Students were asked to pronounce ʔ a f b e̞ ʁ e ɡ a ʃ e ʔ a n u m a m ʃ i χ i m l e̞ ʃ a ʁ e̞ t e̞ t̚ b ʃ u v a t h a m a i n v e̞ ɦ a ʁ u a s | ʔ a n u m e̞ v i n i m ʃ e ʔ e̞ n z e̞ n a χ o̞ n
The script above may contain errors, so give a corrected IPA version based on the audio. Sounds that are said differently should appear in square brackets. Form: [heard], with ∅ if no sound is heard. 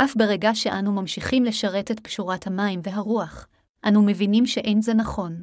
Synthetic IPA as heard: ʔ a f b e̞ ʁ e ɡ a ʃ e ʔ a n u m a m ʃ i χ i m l e̞ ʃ a ʁ e̞ t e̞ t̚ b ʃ u [ʁ] a t h a m a i [m] v e̞ ɦ a ʁ u a [χ] | ʔ a n u m e̞ v i n i m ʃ e ʔ e̞ n z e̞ n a χ o̞ n